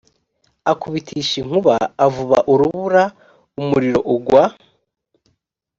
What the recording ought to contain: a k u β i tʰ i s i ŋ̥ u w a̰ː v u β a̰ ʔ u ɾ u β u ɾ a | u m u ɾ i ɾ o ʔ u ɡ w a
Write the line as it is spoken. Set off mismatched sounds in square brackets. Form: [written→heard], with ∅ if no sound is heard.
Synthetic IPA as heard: a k u β i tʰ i [s→ʃ] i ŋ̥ u [w→β] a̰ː v u β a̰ ʔ u ɾ u β u ɾ a | u m u ɾ i ɾ o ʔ u ɡ w a